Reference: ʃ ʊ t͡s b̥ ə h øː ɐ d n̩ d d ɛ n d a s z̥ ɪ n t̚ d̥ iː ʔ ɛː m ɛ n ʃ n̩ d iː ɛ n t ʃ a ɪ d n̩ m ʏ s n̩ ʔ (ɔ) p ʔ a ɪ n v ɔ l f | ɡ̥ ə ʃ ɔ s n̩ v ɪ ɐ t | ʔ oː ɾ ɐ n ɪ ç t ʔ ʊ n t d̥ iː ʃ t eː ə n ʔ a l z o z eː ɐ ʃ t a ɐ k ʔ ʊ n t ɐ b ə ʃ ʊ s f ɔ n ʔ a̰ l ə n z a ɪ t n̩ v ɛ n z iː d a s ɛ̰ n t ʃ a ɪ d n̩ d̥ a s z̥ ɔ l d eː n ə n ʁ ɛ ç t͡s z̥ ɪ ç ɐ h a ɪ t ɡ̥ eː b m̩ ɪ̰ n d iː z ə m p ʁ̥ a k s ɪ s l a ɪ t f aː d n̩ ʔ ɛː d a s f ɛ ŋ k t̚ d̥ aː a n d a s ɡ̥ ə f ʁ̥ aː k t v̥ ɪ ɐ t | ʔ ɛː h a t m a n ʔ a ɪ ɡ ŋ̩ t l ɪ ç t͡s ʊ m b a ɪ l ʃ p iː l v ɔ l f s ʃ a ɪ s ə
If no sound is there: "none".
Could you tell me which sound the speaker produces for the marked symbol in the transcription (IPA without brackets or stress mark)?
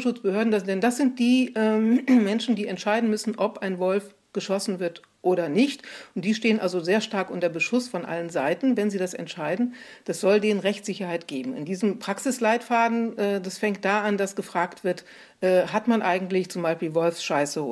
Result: ɔ